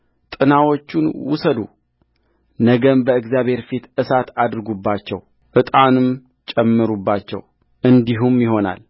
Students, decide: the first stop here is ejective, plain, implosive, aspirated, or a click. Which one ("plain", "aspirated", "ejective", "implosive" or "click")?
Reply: ejective